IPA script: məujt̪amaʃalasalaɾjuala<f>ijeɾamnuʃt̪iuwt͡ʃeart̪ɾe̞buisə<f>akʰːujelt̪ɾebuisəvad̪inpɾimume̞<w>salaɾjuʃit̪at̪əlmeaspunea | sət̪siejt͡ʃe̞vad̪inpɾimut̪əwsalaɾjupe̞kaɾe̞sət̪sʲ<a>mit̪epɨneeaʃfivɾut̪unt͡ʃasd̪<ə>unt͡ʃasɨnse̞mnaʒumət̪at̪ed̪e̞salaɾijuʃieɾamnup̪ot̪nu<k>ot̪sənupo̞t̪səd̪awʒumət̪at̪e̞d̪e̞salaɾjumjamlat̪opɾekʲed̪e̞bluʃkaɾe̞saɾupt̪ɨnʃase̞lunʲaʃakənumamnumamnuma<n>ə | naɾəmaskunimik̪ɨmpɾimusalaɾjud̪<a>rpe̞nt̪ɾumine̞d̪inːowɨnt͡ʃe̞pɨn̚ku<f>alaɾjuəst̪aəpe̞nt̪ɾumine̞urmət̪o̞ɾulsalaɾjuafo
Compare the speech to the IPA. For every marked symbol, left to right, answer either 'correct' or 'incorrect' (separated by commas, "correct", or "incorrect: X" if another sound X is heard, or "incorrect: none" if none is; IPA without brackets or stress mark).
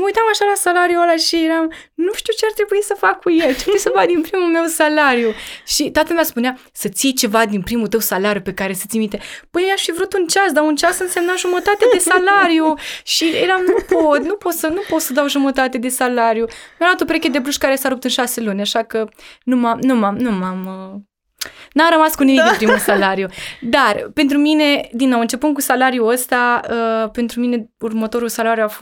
incorrect: ʃ, correct, correct, incorrect: i, incorrect: a, incorrect: p, incorrect: m, correct, incorrect: s